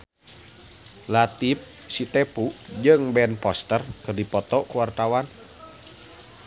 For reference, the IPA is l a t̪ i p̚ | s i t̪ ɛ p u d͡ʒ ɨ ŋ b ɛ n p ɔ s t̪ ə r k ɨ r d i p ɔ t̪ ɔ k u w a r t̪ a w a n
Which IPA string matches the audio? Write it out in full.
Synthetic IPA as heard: l a t̪ i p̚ | s i t̪ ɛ p u d͡ʒ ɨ ŋ b ɛ n p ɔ s t̪ ə r k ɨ r d i p ɔ t̪ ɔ k u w a r t̪ a w a n